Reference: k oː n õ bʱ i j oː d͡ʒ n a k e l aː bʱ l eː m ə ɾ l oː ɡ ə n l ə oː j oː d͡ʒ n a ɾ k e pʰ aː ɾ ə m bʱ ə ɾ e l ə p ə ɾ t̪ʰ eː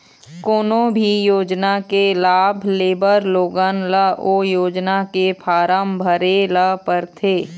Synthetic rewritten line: k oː n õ bʱ i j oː d͡ʒ n a k e l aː bʱ l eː b ə ɾ l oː ɡ ə n l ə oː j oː d͡ʒ n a k e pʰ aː ɾ ə m bʱ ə ɾ e l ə p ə ɾ t̪ʰ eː